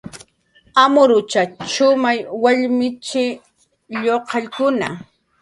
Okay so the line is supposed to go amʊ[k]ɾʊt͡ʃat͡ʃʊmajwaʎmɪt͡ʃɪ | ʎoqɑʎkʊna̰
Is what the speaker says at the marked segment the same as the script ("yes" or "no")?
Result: no